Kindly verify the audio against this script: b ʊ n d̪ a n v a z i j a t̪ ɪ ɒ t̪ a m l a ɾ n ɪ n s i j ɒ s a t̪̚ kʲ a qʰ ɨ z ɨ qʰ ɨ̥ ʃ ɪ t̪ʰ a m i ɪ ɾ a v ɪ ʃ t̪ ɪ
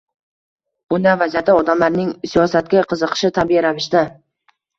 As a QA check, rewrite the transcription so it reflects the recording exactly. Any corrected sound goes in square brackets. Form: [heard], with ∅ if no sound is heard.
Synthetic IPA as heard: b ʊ n d̪ a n v a z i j a t̪ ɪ ɒ [d̪] a m l a ɾ n ɪ [ŋ] s i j ɒ s a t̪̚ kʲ a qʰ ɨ z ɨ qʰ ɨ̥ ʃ ɪ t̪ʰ a [b] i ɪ ɾ a v ɪ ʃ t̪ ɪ